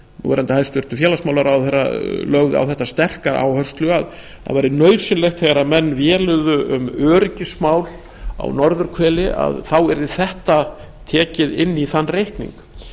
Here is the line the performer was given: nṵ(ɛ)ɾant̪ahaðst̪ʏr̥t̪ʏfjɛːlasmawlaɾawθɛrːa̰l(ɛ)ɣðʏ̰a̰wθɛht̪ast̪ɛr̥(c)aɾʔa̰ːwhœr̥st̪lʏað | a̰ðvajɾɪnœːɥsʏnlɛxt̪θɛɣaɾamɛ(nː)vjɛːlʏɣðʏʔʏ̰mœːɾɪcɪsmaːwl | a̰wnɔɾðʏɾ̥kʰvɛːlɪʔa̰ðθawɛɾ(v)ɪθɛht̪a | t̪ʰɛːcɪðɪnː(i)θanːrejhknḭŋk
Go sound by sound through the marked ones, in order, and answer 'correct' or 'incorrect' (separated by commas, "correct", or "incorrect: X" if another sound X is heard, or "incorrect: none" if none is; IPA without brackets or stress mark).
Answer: correct, incorrect: œ, incorrect: k, correct, incorrect: ð, correct